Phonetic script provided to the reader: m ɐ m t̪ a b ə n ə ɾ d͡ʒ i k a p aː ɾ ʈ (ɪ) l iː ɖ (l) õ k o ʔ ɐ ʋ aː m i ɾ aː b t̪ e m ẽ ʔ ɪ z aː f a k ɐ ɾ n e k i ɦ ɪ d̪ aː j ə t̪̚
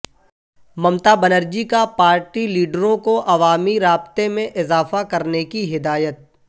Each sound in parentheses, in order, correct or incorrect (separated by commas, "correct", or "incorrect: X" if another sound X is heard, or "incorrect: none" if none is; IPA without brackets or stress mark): incorrect: i, incorrect: ɾ